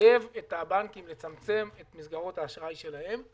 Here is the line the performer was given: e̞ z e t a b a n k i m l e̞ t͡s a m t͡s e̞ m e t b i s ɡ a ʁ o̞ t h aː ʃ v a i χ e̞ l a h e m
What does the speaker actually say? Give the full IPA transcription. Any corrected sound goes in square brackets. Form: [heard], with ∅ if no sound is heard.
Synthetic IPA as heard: e̞ [v] e t a b a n k i m l e̞ t͡s a m t͡s e̞ m e t [m] i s ɡ a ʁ o̞ t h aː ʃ [ʁ] a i [ʃ] e̞ l a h e m